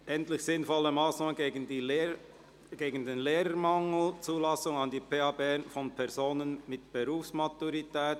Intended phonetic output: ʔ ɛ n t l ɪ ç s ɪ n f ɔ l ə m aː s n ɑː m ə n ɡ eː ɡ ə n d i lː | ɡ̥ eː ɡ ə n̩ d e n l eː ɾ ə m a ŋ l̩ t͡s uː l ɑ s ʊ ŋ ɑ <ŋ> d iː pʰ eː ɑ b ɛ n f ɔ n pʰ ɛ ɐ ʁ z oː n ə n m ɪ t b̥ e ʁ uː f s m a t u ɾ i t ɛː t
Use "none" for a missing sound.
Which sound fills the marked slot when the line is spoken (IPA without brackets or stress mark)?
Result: n